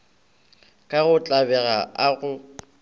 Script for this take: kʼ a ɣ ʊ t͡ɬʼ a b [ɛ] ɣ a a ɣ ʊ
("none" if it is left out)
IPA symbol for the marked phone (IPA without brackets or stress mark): ɛ